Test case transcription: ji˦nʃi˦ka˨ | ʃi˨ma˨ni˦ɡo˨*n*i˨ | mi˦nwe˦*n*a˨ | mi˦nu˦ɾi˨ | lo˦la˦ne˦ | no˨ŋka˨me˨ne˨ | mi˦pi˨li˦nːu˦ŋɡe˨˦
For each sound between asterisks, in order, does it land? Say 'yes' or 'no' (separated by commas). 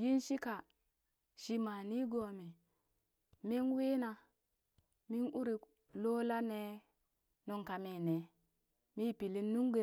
no, yes